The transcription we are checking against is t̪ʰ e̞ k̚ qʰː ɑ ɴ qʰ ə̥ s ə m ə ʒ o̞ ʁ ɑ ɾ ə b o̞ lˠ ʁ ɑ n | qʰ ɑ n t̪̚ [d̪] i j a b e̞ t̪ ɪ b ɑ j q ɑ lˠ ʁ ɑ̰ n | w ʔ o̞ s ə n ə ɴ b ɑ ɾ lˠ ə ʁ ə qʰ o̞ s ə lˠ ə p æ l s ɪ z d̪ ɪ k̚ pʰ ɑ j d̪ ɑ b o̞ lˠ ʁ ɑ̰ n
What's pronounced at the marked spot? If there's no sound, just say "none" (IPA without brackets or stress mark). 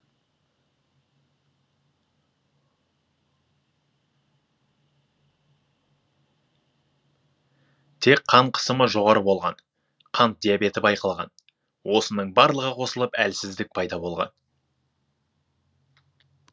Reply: d̪